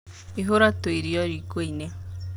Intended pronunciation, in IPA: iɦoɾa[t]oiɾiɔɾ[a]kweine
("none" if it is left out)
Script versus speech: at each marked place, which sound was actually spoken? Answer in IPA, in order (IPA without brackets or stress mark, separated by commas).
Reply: t, i